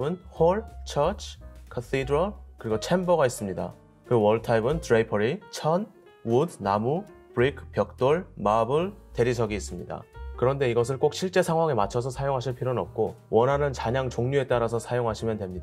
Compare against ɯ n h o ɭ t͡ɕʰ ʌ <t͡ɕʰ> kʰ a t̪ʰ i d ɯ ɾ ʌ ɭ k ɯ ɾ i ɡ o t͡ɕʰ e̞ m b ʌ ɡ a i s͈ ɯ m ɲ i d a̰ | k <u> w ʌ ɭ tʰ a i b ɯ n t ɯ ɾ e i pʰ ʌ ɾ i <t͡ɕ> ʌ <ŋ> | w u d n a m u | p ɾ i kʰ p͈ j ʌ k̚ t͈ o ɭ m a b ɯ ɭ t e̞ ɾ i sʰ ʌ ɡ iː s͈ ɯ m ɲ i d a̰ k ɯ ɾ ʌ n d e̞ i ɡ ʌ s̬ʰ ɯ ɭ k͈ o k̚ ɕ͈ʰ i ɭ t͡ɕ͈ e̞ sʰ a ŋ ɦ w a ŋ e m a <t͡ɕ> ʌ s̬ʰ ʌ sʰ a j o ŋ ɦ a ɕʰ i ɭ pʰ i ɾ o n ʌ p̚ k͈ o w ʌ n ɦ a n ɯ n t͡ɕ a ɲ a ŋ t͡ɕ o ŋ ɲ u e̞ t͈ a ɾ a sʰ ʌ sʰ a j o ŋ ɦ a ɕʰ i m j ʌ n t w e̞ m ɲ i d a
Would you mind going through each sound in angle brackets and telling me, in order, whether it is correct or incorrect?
correct, incorrect: ɯ, incorrect: t͡ɕʰ, incorrect: n, incorrect: t͡ɕʰ

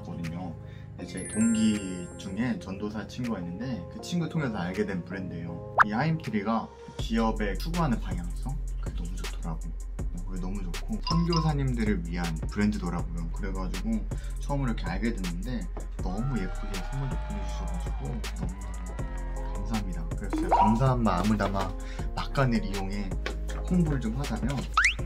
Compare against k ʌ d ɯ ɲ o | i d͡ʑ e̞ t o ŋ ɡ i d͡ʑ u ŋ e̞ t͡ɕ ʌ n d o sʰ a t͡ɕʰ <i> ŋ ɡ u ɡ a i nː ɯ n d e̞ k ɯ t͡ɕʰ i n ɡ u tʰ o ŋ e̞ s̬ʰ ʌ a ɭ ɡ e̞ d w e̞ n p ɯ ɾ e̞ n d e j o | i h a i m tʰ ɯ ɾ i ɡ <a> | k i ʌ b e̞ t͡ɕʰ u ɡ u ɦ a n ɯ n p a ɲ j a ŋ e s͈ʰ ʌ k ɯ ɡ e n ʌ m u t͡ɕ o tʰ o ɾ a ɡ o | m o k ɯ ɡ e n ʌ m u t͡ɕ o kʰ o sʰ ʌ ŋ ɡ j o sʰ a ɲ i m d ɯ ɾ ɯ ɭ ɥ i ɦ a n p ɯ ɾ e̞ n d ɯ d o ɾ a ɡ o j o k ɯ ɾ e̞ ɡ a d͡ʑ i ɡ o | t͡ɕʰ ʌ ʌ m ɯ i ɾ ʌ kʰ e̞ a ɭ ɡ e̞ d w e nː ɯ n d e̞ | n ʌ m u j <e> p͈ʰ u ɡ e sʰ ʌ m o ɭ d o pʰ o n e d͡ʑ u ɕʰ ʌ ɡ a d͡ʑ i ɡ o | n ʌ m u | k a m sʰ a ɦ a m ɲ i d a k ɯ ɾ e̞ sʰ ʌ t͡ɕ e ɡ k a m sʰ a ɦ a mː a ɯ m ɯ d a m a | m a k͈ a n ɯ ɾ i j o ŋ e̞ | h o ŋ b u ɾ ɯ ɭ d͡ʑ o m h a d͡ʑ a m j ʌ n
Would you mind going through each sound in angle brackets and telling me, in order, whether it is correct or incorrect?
correct, correct, correct

